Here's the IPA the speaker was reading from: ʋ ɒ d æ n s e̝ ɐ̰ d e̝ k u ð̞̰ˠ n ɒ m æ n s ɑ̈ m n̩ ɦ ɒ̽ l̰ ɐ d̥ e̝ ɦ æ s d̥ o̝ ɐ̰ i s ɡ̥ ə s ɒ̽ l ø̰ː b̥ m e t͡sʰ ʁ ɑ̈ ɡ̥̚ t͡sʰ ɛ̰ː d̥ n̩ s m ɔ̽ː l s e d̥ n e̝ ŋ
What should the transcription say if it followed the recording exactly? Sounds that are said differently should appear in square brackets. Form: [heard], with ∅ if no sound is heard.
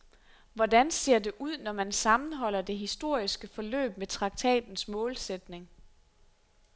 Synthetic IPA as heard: ʋ ɒ d æ n s e̝ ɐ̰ d e̝ [ʔ] u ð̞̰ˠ n ɒ m æ n s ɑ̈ m n̩ ɦ ɒ̽ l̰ ɐ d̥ e̝ ɦ [i] s d̥ o̝ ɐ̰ i s ɡ̥ ə [f] ɒ̽ l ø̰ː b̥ m e t͡sʰ ʁ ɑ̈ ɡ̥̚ t͡sʰ ɛ̰ː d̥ n̩ s m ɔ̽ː l s e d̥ n e̝ ŋ